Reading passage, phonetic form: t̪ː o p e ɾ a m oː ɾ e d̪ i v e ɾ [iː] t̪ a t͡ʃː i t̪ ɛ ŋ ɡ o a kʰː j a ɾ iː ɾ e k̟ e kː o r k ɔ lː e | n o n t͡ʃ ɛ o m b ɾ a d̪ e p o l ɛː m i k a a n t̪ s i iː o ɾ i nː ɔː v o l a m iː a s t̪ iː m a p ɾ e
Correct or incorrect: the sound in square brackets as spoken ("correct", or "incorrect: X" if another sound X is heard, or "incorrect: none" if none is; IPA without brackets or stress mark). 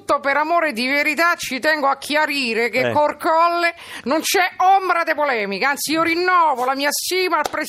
incorrect: i